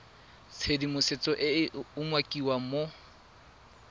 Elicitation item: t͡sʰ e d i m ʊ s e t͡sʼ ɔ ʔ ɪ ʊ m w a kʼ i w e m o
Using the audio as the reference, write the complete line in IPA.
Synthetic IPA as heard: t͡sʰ e d i m ʊ s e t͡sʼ ɔ ʔ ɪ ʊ m w a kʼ i w a m o